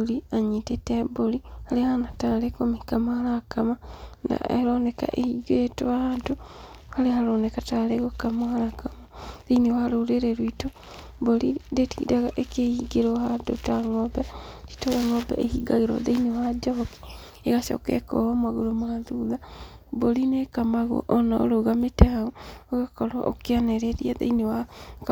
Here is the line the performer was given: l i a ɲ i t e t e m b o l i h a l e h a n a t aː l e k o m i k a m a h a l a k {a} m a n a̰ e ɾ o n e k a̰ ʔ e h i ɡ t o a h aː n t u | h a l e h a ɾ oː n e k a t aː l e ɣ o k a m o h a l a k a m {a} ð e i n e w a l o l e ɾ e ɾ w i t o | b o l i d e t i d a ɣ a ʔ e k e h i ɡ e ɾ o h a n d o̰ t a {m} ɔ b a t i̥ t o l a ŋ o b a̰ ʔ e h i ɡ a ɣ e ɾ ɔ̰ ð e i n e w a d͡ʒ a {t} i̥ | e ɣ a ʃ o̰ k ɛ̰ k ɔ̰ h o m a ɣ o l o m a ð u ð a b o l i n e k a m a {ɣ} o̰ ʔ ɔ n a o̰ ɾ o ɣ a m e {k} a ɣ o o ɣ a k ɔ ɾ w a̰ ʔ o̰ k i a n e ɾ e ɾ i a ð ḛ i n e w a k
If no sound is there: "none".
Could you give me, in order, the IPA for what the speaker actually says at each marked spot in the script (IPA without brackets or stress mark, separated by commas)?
a, a, ŋ, k, ɣ, t